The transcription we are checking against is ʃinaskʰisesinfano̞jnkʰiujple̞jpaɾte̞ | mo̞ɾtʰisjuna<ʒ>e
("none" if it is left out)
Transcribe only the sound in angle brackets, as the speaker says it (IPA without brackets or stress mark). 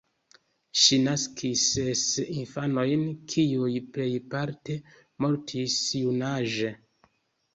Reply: ʒ